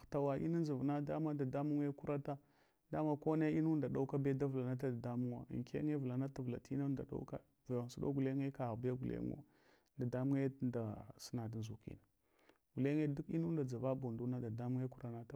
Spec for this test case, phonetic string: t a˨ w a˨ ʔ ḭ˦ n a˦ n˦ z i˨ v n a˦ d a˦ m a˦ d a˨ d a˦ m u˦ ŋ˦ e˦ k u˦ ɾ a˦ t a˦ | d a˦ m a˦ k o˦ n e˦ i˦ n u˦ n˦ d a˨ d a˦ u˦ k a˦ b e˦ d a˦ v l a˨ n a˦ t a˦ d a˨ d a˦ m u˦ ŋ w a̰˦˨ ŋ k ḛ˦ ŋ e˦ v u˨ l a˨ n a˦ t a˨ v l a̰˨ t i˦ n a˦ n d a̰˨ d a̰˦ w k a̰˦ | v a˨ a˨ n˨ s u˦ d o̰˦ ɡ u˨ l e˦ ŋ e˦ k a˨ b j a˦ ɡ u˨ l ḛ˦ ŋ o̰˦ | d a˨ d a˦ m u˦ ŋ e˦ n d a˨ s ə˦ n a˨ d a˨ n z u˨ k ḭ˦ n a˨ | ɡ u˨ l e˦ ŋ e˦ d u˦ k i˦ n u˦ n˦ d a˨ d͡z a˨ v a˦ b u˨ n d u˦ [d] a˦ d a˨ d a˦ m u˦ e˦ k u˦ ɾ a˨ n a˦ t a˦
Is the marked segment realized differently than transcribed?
yes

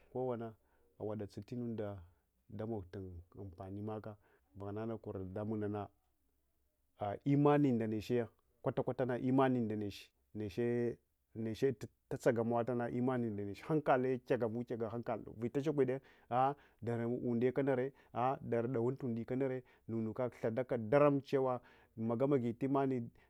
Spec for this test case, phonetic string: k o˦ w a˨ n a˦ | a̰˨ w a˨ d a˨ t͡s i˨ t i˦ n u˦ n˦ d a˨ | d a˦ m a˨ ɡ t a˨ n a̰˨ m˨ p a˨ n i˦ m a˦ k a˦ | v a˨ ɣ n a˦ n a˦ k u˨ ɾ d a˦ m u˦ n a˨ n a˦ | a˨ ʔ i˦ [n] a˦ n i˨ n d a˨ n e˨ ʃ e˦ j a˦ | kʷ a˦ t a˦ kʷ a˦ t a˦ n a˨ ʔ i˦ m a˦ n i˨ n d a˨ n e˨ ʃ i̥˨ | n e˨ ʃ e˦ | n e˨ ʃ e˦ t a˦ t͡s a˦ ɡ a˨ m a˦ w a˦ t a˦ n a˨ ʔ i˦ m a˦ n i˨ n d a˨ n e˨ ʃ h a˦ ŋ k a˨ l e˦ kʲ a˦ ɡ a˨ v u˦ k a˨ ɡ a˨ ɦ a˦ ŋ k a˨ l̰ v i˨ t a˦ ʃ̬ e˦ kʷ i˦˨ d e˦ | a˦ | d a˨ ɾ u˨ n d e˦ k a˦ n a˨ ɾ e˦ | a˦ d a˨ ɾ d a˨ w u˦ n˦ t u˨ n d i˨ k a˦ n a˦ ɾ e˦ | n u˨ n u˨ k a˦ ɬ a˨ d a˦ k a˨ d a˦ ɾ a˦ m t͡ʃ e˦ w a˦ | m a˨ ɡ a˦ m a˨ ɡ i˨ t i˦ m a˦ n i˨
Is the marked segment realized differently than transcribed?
yes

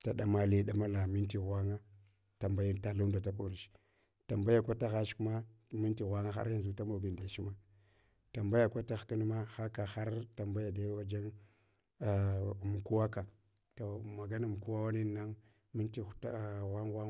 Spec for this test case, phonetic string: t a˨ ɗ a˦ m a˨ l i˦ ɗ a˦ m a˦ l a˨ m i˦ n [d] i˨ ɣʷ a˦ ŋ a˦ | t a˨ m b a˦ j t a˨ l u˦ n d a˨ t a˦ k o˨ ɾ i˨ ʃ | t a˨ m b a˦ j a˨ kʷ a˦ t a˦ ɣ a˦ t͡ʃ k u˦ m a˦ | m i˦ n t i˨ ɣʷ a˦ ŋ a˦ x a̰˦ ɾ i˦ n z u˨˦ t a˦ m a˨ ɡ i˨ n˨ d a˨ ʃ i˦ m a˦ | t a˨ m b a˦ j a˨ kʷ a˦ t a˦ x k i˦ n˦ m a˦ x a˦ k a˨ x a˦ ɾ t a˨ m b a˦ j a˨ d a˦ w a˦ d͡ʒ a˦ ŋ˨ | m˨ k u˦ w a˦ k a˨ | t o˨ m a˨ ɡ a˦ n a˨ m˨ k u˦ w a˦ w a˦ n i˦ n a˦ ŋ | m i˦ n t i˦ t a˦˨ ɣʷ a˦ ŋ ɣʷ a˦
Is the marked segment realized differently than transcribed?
yes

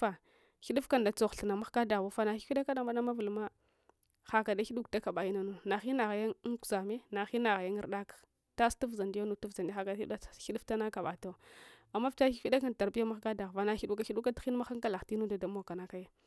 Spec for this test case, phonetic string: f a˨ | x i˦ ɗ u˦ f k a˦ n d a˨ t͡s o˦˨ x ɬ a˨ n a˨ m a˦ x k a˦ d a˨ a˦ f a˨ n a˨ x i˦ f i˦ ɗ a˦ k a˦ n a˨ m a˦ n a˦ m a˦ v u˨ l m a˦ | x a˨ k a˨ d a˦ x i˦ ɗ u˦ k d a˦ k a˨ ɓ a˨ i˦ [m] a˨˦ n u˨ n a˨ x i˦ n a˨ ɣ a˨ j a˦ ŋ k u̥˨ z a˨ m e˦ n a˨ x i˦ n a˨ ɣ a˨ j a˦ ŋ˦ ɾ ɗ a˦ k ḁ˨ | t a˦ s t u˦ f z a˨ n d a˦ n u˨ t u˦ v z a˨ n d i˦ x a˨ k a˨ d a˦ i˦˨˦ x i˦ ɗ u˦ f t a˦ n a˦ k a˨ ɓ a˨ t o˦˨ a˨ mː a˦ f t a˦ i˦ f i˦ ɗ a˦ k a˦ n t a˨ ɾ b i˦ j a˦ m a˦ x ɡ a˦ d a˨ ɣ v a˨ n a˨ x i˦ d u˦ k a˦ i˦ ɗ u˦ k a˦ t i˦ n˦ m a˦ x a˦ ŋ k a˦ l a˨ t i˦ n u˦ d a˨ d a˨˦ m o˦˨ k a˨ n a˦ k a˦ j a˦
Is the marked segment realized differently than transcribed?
yes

